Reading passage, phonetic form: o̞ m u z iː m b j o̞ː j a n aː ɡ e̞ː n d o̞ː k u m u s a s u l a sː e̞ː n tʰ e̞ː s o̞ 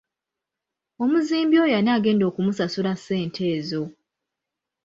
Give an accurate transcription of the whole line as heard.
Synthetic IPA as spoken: o̞ m u z iː m b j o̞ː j a n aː ɡ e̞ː n d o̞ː k u m u s a s u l a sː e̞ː n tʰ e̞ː z o̞